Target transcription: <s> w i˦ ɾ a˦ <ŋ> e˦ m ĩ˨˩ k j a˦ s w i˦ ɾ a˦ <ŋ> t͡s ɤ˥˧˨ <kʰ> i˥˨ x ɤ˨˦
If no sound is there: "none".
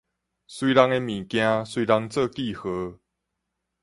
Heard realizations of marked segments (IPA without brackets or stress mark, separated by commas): s, ŋ, ŋ, k